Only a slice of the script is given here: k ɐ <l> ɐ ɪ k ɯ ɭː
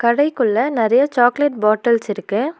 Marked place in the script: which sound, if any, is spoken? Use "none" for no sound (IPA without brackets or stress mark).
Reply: ɽ